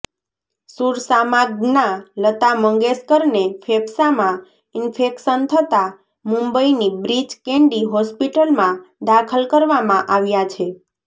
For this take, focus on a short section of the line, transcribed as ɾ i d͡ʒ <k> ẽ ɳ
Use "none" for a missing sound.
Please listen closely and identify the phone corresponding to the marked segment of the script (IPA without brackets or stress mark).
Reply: k